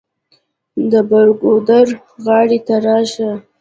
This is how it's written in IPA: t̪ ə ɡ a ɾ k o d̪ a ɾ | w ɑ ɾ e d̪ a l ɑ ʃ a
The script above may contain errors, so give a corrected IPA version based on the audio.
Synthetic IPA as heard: d̪ ə b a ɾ ɡ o d̪ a ɾ | ɣ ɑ ɽ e t̪ a ɾ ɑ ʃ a